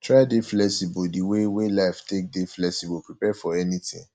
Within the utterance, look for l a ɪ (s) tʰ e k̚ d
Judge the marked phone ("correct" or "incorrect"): incorrect